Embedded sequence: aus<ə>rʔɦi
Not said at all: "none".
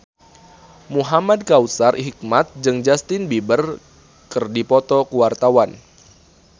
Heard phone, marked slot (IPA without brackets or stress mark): a